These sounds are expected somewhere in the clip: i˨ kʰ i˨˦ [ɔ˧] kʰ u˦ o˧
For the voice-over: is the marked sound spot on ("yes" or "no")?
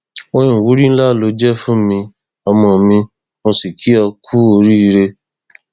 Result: yes